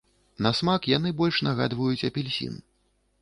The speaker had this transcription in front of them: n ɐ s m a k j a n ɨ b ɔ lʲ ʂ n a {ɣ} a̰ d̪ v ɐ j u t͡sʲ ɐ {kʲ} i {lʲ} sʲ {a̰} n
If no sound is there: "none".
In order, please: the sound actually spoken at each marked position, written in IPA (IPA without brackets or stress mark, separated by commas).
ɣ, pʲ, lʲ, ḭ